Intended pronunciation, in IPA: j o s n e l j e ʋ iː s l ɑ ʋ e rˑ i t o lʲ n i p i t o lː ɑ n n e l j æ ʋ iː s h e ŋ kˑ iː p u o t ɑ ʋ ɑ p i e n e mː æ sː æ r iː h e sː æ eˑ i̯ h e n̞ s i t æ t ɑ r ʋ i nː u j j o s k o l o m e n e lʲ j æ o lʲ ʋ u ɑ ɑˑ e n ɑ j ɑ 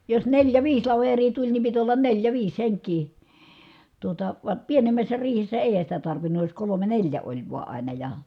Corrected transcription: j o s n e l j æ ʋ iː s l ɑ ʋ e rˑ iː t u lʲ n i p i t o lː ɑ n n e l j æ ʋ iː s h e ŋ kˑ iː t u o t ɑ ʋ ɑ p i e n e mː æ sː æ r iː h e sː æ eˑ i̯ h æ n̞ s i t æ t ɑ r ʋ i nː u j j o s k o l o m e n e lʲ j æ o lʲ ʋ u ɑ ɑˑ i n ɑ j ɑ